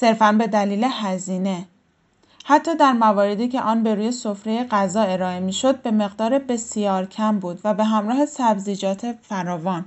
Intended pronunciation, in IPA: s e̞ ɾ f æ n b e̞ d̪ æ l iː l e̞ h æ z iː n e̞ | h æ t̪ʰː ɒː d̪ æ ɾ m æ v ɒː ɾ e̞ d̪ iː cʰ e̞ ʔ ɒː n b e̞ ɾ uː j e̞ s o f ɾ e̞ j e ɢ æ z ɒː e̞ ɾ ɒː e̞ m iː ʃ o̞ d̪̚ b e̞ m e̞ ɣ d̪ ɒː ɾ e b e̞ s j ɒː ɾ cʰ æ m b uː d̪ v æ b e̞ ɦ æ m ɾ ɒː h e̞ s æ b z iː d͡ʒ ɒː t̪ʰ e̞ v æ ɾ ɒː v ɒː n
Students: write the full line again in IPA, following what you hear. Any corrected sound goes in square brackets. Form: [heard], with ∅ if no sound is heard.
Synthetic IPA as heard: s e̞ ɾ f æ n b e̞ d̪ æ l iː l e̞ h æ z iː n e̞ | h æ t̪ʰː ɒː d̪ æ ɾ m æ v ɒː ɾ e̞ d̪ iː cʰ e̞ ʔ ɒː n b e̞ ɾ uː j e̞ s o f ɾ e̞ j e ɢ æ z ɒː e̞ ɾ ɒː e̞ m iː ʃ o̞ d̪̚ b e̞ m e̞ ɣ d̪ ɒː ɾ e b e̞ s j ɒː ɾ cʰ æ m b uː d̪ v æ b e̞ ɦ æ m ɾ ɒː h e̞ s æ b z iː d͡ʒ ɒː t̪ʰ e̞ [f] æ ɾ ɒː v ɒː n